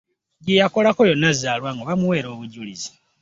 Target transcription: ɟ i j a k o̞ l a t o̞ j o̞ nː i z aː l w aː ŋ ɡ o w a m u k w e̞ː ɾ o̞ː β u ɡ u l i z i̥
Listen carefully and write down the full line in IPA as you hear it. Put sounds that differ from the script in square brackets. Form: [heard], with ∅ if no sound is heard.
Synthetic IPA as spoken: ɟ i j a k o̞ l a [k] o̞ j o̞ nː [a] z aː l w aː ŋ ɡ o [β] a m u [∅] w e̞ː ɾ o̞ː β u [ɟ] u l i z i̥